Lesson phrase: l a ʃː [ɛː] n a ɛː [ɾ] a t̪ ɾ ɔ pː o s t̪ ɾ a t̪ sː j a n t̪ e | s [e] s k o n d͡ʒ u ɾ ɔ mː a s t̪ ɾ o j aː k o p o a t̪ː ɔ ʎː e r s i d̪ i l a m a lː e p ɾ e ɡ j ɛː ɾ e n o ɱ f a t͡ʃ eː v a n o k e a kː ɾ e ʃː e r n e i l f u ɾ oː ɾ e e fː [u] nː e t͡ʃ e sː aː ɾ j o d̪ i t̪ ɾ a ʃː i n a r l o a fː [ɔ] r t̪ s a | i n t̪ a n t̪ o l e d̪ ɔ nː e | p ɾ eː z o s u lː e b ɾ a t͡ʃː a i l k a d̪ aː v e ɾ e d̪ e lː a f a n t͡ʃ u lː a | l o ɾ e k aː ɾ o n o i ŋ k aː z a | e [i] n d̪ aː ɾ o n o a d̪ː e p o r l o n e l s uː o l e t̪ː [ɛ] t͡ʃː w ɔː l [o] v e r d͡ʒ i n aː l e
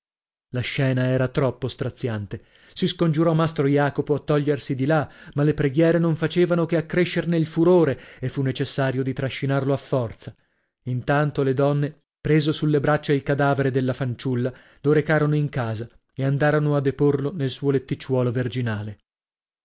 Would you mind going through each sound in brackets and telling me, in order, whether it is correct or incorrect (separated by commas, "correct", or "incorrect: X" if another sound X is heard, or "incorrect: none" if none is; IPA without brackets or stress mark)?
correct, correct, incorrect: i, correct, correct, incorrect: a, incorrect: i, correct